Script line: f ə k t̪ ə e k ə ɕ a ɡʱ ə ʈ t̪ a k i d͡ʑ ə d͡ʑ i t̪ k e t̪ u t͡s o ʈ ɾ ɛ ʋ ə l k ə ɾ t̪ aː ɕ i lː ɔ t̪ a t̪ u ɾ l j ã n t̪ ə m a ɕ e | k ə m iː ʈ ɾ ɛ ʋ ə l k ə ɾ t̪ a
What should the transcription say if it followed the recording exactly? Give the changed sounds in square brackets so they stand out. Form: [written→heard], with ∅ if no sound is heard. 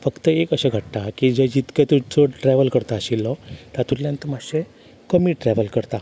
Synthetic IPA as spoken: f ə k t̪ ə e k ə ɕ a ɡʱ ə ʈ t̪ a k i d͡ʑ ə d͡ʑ i t̪ k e t̪ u t͡s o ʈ ɾ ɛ ʋ ə l k ə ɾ t̪ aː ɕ i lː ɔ t̪ a t̪ u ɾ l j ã n t̪ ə m a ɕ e | k ə m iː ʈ ɾ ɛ ʋ ə l k ə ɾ t̪ a